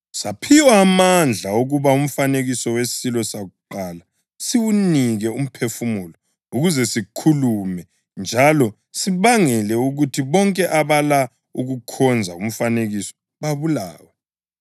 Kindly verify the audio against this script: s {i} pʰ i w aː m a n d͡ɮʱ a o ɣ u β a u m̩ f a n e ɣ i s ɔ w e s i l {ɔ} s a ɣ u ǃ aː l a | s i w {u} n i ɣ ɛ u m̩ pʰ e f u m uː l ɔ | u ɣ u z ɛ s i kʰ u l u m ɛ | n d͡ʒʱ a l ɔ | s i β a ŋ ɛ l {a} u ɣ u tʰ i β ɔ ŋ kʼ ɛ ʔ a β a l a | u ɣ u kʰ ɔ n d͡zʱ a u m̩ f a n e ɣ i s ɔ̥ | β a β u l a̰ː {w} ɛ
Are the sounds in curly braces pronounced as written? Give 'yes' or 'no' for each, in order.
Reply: no, yes, yes, no, yes

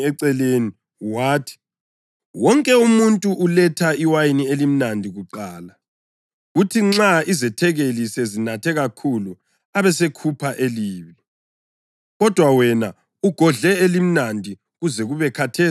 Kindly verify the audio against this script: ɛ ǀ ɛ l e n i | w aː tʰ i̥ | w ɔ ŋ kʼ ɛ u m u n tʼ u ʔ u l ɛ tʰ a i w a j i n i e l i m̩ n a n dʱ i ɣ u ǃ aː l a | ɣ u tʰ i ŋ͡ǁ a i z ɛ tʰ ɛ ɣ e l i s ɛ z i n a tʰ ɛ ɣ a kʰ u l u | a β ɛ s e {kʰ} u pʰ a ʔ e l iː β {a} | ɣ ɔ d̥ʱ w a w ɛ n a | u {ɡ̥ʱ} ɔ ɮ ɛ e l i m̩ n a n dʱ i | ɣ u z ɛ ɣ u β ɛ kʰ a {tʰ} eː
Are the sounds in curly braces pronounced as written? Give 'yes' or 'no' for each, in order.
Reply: yes, no, yes, yes

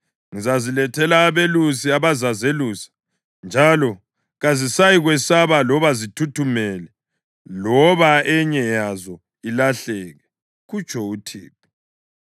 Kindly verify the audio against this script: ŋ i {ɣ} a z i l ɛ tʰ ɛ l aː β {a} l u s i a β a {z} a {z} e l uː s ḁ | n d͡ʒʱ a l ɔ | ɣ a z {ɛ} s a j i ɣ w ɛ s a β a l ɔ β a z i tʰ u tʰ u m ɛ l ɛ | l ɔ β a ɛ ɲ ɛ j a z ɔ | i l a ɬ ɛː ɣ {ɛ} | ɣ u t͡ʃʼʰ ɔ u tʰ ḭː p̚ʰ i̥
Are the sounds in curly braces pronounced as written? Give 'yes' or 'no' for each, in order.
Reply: no, no, yes, yes, no, yes

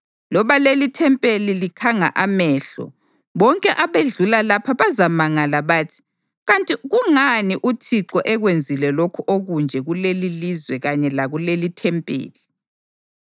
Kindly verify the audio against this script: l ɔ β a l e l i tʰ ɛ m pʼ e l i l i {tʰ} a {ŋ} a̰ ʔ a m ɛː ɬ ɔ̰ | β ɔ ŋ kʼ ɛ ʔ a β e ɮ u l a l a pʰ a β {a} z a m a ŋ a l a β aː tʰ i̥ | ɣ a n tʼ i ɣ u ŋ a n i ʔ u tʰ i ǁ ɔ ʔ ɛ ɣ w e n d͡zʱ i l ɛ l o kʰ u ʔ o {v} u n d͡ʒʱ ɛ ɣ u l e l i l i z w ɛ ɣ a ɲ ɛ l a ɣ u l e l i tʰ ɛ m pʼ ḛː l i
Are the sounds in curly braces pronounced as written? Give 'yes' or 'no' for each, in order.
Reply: no, yes, yes, no

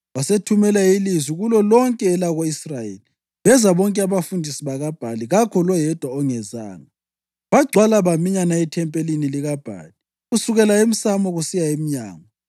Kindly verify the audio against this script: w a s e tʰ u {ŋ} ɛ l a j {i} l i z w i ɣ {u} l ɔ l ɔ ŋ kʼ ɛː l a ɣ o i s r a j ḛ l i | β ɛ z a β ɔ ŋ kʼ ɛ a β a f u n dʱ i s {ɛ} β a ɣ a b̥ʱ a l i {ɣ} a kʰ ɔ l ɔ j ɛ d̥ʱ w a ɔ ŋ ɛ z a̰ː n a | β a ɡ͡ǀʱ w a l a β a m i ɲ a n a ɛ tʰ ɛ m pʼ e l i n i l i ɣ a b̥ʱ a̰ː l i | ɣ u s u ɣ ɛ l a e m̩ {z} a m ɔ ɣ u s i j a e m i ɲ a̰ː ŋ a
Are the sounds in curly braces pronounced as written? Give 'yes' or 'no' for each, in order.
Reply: no, yes, yes, no, yes, no

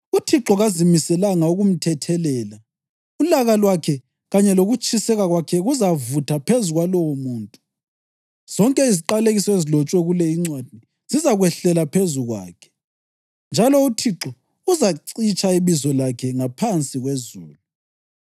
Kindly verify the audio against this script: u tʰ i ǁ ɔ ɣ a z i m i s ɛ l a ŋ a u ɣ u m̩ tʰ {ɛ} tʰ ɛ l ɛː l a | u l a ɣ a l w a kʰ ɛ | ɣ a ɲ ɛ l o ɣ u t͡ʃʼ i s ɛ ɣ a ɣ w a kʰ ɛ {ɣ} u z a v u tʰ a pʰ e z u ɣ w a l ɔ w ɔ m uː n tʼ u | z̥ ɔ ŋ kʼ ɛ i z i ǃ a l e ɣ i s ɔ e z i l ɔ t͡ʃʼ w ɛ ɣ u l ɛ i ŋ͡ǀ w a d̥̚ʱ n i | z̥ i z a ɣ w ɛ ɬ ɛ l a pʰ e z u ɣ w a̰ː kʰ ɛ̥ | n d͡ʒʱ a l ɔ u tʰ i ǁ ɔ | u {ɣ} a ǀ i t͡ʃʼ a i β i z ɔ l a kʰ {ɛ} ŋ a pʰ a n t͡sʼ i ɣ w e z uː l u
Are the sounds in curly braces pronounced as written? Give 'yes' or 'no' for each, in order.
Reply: yes, yes, no, yes

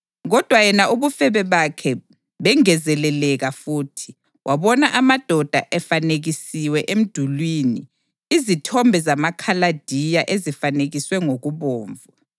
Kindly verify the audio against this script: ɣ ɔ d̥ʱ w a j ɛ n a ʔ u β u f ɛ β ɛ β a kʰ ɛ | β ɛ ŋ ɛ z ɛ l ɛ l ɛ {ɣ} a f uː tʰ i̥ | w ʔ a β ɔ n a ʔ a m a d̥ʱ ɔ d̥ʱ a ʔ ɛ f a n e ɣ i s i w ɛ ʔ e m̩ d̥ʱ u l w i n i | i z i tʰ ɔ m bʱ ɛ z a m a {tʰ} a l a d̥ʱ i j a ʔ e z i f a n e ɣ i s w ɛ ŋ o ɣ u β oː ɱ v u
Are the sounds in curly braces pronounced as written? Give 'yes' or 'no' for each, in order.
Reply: yes, no

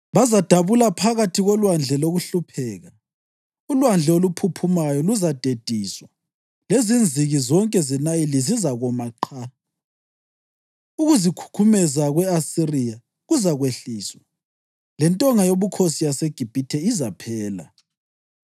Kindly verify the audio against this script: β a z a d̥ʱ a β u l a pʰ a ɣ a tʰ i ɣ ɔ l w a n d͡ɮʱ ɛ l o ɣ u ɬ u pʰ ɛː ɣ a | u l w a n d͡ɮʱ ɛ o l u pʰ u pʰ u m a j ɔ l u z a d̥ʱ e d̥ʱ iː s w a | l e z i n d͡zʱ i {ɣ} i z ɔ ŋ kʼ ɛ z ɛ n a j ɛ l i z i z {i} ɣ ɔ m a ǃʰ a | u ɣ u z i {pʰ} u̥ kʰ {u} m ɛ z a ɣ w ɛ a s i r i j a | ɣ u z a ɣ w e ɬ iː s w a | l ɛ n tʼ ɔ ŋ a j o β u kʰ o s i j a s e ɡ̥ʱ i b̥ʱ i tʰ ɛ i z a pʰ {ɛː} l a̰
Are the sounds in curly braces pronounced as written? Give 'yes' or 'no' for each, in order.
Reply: yes, no, no, yes, yes

